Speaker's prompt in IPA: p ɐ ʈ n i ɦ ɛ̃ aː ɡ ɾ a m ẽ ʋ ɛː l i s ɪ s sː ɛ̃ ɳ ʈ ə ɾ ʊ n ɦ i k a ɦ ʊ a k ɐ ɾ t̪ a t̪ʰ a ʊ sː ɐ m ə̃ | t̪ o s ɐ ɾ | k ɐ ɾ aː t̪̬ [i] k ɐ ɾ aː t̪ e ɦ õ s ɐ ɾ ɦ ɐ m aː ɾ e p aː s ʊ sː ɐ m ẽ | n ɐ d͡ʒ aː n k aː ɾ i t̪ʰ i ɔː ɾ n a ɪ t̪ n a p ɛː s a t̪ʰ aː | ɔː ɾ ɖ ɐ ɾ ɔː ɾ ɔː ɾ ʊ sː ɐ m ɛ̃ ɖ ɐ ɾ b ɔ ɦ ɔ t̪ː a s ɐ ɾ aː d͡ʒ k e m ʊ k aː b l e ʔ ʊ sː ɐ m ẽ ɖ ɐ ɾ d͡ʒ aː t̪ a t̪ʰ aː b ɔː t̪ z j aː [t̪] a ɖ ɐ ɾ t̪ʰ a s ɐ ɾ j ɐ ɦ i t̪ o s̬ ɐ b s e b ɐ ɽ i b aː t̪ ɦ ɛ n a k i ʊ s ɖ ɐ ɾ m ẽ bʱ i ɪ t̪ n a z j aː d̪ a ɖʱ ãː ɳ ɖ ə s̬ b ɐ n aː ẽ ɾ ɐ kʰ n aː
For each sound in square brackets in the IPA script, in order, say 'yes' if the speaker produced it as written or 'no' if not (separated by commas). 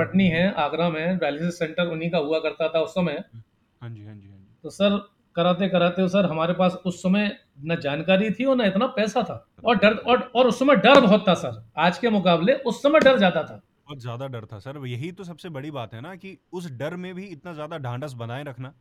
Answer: no, no